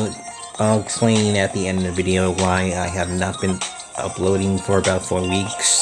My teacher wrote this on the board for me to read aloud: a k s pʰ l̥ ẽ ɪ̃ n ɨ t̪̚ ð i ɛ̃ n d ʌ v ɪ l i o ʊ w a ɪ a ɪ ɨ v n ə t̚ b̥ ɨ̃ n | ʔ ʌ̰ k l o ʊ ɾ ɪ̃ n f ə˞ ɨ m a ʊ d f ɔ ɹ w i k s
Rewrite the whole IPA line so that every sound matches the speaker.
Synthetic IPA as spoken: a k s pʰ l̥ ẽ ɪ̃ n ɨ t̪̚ ð i ɛ̃ n d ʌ v ɪ ɾ i o ʊ w a ɪ a ɪ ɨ v n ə t̚ b̥ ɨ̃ n | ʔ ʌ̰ p l o ʊ ɾ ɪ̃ ŋ f ə˞ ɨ b a ʊ t f ɔ ɹ w i k s